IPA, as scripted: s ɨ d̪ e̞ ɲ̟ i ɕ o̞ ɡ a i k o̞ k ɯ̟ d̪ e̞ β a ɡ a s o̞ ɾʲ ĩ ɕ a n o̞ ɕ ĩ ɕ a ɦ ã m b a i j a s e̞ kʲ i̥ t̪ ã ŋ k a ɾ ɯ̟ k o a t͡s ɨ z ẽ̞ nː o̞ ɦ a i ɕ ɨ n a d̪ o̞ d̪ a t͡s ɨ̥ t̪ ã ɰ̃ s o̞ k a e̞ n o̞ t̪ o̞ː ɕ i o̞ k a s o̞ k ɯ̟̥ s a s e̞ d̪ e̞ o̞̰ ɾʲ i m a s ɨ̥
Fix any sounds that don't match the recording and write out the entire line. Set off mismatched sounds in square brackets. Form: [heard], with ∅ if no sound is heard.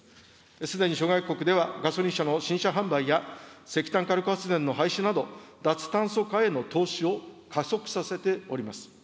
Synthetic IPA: s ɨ d̪ e̞ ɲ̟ i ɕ o̞ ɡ a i k o̞ k ɯ̟ d̪ e̞ β a ɡ a s o̞ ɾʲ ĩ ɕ a n o̞ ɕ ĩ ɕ a ɦ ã m b a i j a s e̞ kʲ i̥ t̪ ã ŋ k a ɾ ɯ̟ k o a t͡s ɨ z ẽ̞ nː o̞ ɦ a i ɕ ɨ n a d̪ o̞ d̪ a t͡s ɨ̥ t̪ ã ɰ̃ s o̞ k a e̞ n o̞ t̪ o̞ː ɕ i o̞ k a s o̞ k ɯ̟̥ s a s e̞ [t̪] e̞ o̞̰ ɾʲ i m a s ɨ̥